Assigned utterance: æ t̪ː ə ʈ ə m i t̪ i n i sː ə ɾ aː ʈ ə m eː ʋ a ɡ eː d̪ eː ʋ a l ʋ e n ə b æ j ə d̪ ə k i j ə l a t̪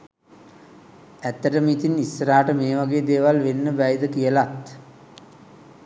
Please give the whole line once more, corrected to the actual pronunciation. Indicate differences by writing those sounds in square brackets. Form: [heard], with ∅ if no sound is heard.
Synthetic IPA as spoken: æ t̪ː ə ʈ ə m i t̪ i n i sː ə ɾ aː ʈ ə m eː ʋ a ɡ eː d̪ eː ʋ a l ʋ e [nː] ə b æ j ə d̪ ə k i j ə l a t̪